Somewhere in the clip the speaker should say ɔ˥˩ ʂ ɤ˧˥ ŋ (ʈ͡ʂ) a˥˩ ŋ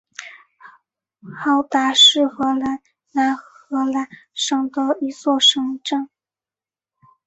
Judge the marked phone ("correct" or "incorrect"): correct